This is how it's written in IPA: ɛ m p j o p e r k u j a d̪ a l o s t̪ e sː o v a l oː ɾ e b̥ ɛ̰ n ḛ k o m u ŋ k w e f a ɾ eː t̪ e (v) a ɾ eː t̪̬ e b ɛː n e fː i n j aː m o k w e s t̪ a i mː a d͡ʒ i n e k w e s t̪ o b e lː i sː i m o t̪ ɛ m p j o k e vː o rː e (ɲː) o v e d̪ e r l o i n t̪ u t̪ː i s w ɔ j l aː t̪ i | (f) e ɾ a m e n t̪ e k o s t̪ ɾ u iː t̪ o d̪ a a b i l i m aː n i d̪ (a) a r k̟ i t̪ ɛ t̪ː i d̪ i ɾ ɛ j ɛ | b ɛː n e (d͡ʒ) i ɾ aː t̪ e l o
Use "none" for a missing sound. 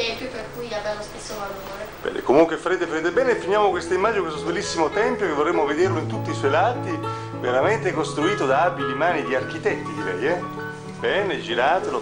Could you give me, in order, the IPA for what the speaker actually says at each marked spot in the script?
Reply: f, mː, v, i, d͡ʒ

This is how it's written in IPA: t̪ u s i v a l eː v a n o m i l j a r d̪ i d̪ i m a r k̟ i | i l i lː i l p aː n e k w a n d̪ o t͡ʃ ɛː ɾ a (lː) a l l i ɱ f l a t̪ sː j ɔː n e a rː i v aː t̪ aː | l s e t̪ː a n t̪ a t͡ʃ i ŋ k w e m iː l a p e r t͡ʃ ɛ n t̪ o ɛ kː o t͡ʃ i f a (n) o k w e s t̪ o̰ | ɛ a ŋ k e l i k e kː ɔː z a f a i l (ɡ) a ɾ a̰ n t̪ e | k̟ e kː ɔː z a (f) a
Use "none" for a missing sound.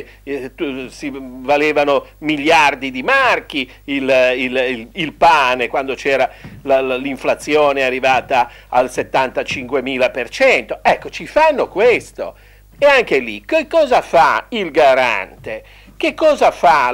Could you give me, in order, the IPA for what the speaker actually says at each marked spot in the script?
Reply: l, nː, ɡ, f

